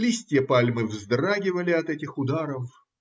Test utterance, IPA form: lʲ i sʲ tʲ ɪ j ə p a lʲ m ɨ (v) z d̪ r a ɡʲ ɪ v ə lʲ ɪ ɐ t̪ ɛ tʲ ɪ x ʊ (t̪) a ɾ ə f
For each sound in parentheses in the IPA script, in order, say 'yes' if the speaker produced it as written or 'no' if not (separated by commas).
yes, no